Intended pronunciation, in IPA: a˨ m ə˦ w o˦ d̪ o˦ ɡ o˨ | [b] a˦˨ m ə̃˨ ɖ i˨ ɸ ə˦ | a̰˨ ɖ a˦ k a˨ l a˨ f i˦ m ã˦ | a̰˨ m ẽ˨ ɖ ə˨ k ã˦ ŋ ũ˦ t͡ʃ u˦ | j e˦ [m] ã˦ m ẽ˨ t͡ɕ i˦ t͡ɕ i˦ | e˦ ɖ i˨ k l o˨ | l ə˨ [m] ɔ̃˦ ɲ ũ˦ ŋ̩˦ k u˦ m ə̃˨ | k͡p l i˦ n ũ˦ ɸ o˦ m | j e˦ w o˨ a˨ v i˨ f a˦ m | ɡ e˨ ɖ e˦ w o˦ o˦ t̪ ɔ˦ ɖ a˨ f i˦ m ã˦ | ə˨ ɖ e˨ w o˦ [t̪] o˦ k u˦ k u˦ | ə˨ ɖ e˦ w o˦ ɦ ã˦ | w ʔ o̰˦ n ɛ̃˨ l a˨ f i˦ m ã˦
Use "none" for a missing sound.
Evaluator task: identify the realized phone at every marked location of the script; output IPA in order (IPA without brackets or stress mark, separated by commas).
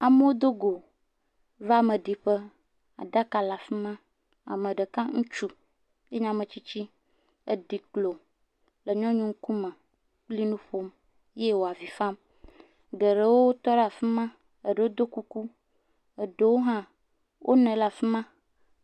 v, ɲ, ɲ, d̪